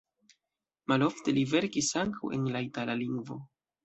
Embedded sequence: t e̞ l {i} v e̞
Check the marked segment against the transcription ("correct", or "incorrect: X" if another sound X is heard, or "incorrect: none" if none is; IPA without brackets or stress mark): correct